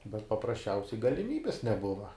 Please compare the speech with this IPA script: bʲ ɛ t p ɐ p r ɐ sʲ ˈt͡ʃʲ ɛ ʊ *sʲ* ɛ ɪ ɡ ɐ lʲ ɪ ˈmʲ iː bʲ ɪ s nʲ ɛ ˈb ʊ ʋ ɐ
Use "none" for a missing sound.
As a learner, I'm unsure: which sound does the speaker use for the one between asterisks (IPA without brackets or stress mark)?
sʲ